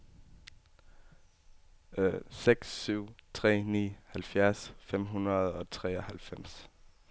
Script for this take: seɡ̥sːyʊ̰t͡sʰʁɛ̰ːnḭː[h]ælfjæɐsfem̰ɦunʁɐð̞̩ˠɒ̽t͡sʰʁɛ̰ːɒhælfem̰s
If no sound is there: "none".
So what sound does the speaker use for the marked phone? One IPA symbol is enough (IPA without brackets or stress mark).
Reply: h